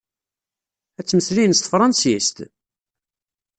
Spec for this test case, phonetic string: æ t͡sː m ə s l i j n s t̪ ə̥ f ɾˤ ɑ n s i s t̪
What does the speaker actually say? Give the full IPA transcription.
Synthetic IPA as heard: æ t͡sː m ə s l i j n s t̪ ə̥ f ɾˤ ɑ n s i s t̪